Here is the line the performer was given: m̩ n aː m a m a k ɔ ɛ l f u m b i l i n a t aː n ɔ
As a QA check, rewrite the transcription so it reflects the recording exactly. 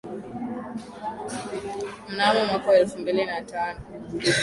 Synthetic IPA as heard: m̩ n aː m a m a k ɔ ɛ l f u m b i l i n a t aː n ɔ